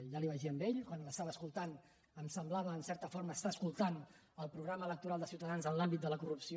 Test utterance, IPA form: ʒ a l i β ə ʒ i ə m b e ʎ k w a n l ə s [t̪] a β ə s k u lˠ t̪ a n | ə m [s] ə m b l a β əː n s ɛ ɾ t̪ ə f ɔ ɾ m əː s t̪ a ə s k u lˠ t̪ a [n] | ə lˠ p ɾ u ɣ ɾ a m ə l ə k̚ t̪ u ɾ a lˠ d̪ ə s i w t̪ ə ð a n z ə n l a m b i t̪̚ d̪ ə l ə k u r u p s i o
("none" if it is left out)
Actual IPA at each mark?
t̪, s, n

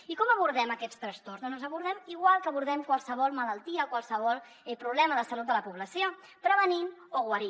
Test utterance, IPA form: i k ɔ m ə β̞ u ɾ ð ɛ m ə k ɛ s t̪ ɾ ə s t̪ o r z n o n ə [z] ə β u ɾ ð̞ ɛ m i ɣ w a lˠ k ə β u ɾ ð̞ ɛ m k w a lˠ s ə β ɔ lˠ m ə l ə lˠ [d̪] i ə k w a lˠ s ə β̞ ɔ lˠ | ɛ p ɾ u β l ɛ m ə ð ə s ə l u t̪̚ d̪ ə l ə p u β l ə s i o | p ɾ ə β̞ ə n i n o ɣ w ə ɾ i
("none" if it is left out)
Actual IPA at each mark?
z, t̪

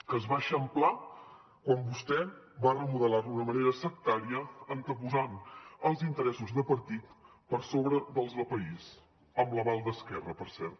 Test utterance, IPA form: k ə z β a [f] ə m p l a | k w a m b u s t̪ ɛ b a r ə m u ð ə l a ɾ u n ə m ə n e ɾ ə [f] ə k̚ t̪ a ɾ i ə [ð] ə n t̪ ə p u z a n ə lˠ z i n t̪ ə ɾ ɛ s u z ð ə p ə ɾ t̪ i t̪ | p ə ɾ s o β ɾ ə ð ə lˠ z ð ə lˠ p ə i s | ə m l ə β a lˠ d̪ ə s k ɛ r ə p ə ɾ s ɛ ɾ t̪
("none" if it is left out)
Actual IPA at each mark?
ʃ, s, none

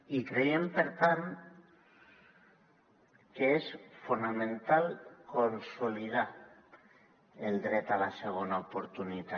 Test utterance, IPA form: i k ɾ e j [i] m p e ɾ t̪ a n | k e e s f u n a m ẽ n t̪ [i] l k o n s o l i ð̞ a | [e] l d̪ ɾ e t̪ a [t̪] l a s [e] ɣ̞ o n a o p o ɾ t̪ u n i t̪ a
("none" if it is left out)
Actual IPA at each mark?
e, a, e, none, e

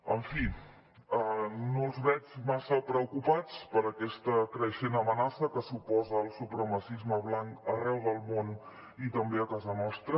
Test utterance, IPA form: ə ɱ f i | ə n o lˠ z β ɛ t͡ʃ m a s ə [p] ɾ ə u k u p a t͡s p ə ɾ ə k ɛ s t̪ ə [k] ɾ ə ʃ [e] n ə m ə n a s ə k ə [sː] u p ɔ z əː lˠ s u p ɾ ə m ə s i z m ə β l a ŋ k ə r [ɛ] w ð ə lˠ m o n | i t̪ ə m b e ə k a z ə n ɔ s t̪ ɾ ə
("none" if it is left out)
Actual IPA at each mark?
p, k, e, s, ɛ

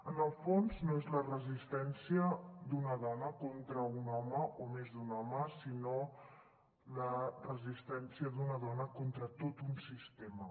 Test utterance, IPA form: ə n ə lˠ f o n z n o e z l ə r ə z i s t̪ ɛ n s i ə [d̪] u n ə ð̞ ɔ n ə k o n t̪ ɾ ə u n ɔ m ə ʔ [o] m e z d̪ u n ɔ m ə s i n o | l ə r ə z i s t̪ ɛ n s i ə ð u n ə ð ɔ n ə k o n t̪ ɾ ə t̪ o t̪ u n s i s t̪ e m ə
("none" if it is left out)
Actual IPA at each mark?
d̪, o

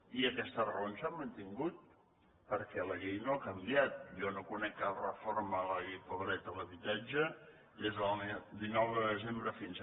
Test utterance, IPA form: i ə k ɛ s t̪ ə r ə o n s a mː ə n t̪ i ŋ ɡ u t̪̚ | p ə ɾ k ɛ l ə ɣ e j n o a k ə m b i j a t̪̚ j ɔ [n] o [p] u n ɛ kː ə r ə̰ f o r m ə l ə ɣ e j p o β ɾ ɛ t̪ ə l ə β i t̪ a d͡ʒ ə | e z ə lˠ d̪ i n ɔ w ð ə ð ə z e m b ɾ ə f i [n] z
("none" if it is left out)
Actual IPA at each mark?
n, k, n

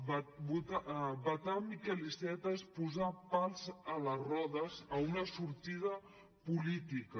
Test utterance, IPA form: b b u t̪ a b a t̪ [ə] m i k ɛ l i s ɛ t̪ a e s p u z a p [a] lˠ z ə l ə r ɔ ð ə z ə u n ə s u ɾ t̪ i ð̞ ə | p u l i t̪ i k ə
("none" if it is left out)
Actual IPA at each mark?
a, a

